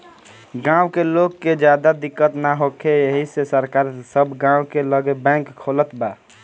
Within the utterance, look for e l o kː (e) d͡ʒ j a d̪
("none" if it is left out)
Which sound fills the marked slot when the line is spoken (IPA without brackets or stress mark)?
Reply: e